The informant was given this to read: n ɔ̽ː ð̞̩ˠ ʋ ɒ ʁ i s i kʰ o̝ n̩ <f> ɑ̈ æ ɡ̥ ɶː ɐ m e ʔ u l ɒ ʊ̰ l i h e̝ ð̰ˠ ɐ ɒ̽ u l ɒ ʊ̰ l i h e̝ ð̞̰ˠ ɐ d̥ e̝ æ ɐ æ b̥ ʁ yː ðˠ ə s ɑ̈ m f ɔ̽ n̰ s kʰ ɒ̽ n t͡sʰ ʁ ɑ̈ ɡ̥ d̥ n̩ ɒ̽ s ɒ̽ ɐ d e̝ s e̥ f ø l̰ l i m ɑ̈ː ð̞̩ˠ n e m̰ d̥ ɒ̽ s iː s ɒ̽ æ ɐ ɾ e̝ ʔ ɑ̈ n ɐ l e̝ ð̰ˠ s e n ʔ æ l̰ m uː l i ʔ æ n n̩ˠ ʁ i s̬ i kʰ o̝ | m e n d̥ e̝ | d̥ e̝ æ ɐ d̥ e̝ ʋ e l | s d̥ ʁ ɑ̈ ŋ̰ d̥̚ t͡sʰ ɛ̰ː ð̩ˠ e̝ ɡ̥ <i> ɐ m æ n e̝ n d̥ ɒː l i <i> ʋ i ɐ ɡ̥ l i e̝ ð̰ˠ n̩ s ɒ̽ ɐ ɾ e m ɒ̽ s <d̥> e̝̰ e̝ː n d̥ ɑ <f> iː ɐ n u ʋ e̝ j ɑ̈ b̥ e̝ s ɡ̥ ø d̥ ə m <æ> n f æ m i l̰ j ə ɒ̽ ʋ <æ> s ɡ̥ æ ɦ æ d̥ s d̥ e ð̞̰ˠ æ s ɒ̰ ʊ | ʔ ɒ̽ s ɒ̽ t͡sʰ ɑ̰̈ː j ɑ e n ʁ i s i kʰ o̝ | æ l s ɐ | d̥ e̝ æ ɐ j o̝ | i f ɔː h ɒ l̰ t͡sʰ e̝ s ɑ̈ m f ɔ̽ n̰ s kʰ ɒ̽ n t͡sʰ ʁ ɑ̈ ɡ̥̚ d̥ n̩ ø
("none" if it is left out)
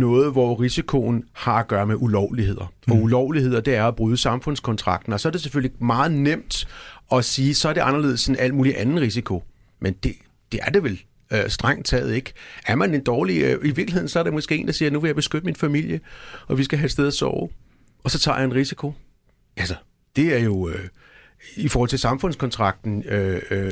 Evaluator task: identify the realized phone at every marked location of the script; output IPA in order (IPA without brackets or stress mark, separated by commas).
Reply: h, æ, i, ɡ̥, s, i, i